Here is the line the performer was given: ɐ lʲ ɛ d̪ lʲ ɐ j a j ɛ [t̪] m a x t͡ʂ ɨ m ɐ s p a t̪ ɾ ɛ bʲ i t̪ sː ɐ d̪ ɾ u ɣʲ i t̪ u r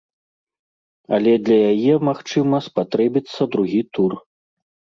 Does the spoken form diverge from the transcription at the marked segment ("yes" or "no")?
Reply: yes